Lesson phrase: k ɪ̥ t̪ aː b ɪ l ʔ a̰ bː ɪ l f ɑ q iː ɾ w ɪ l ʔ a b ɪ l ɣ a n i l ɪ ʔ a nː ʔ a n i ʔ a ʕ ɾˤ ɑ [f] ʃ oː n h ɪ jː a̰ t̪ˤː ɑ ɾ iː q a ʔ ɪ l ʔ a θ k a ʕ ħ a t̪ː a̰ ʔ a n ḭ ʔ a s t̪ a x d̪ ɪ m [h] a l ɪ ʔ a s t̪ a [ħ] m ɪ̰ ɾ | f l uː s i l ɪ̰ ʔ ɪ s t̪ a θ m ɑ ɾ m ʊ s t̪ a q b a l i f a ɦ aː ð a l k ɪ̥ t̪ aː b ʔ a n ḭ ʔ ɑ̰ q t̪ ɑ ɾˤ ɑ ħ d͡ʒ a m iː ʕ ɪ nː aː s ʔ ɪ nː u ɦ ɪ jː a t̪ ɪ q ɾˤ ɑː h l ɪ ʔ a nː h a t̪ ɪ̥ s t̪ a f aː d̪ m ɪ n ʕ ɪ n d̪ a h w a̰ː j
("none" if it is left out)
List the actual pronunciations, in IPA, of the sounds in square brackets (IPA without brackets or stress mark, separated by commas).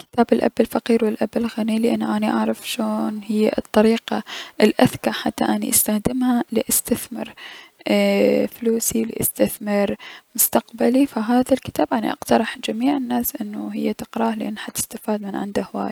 f, h, θ